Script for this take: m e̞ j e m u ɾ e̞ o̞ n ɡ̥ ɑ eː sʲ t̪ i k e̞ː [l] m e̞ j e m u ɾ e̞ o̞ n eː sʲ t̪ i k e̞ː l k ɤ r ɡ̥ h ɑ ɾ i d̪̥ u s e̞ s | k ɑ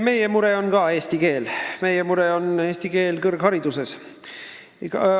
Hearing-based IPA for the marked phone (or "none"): l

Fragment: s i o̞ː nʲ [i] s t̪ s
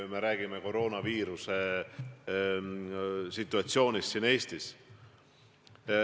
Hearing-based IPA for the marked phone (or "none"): i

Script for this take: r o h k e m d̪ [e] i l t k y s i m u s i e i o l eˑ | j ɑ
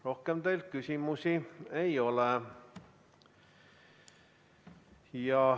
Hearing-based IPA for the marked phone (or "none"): e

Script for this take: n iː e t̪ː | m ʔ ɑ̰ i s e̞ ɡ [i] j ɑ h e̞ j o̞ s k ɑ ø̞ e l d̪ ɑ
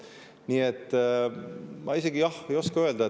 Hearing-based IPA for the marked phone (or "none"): i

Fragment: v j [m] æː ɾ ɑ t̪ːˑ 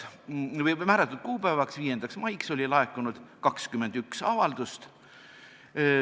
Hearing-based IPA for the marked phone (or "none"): m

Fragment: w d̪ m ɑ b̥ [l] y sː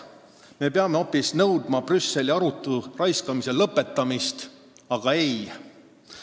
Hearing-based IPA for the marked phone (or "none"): r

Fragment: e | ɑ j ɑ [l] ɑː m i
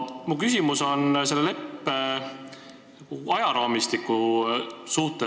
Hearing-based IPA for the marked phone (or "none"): ɾ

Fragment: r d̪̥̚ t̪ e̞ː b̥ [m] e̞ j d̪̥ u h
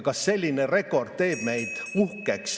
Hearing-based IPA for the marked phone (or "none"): m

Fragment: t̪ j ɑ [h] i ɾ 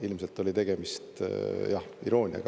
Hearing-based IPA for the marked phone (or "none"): h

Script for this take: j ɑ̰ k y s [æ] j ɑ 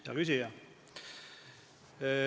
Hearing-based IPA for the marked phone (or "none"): i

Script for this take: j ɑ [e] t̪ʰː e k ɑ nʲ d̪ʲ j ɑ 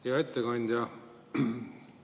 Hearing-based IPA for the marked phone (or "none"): e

